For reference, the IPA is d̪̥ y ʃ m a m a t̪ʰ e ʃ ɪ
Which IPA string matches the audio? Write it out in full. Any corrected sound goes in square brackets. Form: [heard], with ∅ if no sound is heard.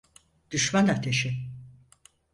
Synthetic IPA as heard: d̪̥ y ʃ m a [n] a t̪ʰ e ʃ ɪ